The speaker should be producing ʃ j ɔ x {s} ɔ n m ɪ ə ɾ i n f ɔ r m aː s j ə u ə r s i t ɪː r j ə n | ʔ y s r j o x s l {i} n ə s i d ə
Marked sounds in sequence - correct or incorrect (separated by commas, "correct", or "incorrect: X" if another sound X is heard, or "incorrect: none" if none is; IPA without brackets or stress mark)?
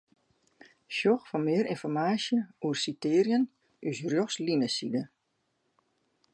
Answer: incorrect: f, correct